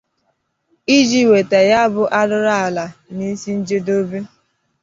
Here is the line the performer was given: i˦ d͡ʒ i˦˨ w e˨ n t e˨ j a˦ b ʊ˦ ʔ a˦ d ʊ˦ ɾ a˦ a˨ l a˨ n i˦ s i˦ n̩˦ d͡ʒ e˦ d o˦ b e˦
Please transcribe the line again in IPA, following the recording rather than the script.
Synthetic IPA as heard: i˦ d͡ʒ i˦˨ w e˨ t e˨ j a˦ b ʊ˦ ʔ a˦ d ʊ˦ ɾ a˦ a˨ l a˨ n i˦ s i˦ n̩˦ d͡ʒ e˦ d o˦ b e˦